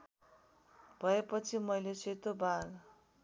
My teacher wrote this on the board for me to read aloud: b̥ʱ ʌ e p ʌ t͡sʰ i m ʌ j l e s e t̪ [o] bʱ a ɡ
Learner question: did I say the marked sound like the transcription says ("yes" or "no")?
yes